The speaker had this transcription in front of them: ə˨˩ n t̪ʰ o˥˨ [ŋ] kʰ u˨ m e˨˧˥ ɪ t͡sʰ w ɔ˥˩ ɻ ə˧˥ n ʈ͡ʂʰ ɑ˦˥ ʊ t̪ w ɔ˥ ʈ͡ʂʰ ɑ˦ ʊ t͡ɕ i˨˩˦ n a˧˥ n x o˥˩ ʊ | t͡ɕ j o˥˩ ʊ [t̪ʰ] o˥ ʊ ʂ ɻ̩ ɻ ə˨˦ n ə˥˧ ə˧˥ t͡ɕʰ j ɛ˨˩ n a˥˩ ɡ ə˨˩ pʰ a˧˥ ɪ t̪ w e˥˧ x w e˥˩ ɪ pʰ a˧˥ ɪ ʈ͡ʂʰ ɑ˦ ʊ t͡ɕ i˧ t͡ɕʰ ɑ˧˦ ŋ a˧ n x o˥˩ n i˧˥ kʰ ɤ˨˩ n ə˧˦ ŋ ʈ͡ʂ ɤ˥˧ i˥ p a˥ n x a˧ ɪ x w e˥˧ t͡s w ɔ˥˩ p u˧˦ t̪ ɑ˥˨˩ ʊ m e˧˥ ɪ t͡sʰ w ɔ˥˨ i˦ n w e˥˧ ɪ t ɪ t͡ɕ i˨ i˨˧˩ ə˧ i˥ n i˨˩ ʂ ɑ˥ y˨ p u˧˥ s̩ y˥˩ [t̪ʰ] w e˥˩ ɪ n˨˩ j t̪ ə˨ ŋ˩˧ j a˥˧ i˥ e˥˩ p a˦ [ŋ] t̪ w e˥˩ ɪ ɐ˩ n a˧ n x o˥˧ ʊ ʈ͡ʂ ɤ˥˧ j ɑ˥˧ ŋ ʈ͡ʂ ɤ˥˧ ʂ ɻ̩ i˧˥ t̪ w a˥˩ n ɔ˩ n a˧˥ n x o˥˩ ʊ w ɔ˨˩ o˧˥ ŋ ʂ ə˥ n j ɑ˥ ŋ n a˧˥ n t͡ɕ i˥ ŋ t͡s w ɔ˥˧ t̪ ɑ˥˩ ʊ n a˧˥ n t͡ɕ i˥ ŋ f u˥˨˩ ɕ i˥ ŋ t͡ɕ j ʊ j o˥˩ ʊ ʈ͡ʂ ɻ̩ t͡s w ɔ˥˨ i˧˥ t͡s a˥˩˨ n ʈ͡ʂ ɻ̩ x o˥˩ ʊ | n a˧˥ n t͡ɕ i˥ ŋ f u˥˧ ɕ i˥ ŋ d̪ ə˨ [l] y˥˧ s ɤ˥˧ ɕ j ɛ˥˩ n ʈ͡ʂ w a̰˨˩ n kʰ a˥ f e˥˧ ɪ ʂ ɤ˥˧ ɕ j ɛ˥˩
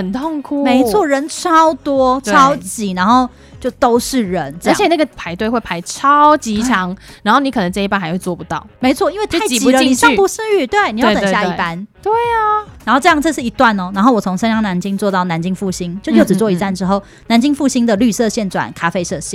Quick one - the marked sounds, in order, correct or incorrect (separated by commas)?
correct, incorrect, incorrect, incorrect, correct